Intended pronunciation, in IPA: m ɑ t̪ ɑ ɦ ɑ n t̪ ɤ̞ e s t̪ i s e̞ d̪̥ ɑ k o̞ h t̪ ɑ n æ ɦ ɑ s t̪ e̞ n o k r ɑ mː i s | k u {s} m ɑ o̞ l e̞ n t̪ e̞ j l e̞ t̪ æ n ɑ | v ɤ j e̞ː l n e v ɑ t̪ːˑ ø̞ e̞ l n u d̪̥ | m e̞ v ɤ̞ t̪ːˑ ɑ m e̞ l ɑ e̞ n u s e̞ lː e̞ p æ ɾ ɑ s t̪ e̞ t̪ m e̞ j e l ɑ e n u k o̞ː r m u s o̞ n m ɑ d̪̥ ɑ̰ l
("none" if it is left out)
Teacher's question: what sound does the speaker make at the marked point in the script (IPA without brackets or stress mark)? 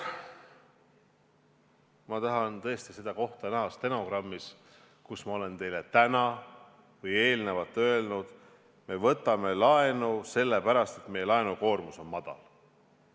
s